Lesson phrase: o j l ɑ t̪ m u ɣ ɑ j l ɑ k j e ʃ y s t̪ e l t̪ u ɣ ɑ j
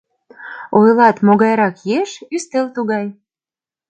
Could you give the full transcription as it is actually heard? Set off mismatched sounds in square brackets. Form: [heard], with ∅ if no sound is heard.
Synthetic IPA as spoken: o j l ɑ t̪ m [o] ɣ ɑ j [ɾ] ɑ k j e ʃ y s t̪ e l t̪ u ɣ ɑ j